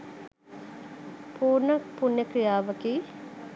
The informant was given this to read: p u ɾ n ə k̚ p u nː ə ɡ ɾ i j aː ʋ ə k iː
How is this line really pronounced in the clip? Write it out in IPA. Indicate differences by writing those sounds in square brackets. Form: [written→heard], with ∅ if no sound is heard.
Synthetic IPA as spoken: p [u→uː] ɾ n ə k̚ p u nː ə [ɡ→k] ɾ i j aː ʋ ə k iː